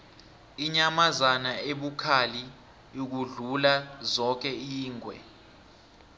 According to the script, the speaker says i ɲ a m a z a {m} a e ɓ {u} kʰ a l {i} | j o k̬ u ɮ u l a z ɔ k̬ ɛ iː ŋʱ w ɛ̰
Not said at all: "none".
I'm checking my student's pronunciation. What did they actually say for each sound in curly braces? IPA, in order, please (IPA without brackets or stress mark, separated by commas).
n, u, i